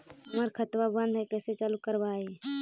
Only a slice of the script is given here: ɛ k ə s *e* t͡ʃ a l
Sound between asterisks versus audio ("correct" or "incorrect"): correct